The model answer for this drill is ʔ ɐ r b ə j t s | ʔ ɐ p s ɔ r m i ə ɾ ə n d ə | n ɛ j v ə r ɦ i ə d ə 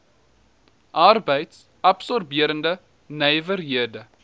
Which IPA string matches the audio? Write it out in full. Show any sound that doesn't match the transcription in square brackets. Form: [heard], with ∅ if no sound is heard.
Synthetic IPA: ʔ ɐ r b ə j t s | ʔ ɐ p s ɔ r [b] i ə ɾ ə n d ə | n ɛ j v ə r ɦ i ə d ə